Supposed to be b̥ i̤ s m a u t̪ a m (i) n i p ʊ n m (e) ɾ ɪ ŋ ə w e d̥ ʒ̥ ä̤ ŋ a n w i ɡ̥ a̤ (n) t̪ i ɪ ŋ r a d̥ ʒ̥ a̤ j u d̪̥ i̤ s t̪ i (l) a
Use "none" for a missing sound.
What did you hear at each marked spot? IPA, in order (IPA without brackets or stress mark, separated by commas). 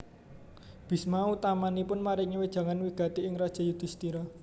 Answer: a, a, none, ɾ